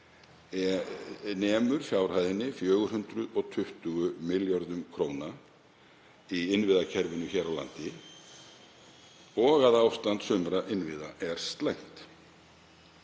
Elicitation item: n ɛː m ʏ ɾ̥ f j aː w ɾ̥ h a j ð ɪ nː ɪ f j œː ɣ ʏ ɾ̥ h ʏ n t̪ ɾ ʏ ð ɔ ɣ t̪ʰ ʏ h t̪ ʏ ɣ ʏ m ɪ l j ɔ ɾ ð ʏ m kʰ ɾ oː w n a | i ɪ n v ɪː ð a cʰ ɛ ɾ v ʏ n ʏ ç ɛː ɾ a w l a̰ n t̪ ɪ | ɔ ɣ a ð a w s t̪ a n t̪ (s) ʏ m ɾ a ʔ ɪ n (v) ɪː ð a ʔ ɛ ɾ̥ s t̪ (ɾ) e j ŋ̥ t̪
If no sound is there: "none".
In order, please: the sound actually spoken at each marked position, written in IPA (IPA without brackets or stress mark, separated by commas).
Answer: s, v, l